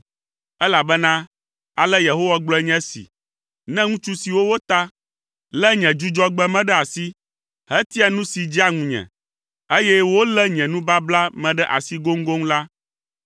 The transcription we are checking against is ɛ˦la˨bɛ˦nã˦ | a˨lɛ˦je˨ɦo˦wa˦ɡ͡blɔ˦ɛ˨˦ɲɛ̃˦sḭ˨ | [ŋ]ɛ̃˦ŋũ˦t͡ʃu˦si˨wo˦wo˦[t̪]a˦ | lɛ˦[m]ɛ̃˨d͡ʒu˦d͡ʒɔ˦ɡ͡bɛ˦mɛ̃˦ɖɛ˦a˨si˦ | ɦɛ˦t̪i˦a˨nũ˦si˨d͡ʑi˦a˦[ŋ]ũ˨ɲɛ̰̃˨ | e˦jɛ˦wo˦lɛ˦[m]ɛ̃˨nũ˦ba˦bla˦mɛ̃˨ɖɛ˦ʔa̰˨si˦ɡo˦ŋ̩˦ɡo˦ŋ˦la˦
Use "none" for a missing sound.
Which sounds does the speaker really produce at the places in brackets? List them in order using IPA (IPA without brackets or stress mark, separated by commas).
n, t̪, ɲ, ŋ, ɲ